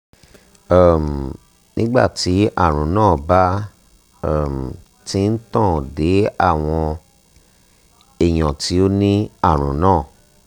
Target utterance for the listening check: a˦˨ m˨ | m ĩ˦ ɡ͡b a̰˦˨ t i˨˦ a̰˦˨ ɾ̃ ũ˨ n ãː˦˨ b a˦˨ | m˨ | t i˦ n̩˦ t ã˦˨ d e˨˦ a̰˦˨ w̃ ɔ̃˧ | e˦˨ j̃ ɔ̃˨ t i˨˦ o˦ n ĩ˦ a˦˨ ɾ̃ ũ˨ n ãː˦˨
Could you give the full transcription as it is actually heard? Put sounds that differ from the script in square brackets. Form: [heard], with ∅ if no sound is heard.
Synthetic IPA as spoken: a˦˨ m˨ | [n] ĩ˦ ɡ͡b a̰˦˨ t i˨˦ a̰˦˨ ɾ̃ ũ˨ n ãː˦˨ b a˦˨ | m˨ | t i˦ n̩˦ t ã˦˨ d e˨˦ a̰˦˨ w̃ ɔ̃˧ | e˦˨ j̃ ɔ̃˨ t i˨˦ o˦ n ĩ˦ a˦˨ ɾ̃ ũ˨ n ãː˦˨